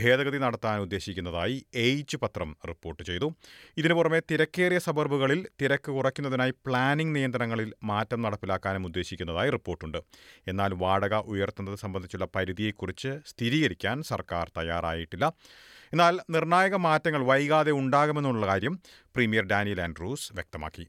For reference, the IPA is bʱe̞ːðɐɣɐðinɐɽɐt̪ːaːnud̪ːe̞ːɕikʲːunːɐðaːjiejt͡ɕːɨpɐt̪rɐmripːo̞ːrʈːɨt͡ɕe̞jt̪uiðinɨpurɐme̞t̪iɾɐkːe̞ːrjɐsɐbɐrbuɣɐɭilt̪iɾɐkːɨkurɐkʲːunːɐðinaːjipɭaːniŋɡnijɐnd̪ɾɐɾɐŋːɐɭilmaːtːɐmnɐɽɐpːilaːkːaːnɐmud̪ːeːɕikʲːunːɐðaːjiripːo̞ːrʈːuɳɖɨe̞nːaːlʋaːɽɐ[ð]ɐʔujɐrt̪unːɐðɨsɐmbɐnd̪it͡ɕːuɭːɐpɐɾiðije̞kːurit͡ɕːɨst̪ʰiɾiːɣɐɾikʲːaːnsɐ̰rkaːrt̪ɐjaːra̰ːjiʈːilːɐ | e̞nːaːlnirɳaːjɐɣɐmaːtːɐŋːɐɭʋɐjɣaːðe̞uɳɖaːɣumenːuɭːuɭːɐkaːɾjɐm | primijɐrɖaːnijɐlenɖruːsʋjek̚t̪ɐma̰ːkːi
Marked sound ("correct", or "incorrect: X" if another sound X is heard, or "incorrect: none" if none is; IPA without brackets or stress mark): incorrect: ɣ